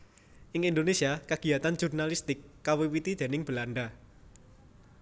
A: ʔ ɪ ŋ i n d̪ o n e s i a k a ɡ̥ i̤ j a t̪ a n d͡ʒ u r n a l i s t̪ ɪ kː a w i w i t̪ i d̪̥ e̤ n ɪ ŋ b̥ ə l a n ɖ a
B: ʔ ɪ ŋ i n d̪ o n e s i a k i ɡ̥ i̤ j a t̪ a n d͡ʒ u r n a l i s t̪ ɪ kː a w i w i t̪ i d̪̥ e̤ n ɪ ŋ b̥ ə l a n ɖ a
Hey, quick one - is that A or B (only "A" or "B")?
A